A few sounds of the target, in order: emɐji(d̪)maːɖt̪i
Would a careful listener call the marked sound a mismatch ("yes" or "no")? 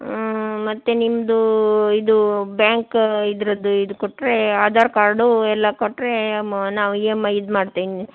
no